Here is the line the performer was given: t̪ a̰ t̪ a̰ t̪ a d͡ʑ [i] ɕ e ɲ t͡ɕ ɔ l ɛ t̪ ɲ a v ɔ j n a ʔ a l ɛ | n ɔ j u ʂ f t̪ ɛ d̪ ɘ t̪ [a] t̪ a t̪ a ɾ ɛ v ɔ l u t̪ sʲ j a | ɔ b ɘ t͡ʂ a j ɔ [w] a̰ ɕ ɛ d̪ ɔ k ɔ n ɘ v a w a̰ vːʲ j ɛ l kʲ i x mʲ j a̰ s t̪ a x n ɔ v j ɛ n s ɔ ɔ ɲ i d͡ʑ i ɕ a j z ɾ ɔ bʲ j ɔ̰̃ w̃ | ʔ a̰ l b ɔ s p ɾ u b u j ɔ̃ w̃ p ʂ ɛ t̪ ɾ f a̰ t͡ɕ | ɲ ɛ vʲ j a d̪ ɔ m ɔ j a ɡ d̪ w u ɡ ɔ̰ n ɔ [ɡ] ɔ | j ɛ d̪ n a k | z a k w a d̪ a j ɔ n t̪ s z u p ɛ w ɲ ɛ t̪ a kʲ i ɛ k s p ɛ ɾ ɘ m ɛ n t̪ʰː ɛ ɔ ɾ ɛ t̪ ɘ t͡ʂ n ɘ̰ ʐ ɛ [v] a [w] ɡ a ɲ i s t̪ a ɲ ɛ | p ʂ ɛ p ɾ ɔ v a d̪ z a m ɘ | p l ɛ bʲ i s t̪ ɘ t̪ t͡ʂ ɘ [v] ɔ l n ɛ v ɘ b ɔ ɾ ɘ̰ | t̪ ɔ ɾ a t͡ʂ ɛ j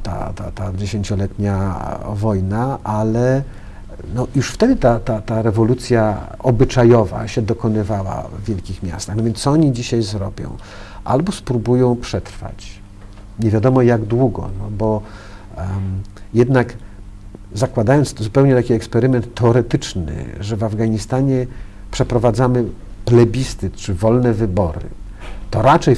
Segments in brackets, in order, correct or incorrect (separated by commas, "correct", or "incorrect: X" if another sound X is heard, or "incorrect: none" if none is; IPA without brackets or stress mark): incorrect: e, correct, incorrect: v, incorrect: b, correct, incorrect: v, correct